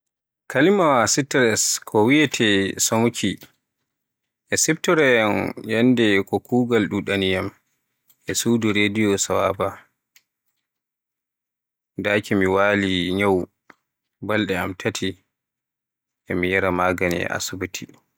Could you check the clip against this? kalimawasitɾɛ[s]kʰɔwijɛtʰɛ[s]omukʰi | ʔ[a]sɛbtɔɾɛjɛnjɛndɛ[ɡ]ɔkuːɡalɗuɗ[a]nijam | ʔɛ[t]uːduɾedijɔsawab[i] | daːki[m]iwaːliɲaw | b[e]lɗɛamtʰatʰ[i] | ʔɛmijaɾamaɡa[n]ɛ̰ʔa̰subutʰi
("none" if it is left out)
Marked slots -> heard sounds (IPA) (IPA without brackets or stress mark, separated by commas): s, s, ɛ, k, a, s, a, m, a, i, n